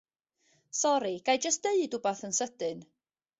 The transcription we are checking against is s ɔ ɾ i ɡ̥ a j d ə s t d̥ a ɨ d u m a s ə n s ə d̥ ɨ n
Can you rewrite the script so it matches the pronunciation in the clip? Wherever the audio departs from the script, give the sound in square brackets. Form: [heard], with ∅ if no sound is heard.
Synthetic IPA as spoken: s ɔ ɾ i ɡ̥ a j [d͡ʒ] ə s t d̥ [e] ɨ d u [b] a [θ] ə n s ə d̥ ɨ n